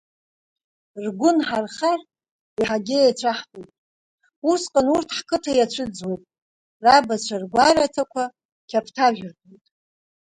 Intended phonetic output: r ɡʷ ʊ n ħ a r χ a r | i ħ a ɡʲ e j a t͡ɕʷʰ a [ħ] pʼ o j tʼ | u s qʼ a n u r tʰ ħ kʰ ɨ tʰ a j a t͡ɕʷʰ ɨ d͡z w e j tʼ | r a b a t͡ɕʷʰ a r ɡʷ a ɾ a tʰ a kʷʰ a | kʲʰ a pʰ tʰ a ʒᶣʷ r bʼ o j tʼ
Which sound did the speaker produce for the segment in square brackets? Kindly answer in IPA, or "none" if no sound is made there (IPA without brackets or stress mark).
ħ